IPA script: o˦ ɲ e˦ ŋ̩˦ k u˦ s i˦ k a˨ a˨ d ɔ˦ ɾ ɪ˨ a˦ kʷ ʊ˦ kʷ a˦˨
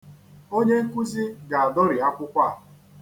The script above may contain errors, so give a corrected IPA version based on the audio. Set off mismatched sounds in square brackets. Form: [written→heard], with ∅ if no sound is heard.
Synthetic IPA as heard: o˦ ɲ e˦ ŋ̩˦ k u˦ [s→z] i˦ [k→ɡ] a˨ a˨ d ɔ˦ ɾ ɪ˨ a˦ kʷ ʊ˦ kʷ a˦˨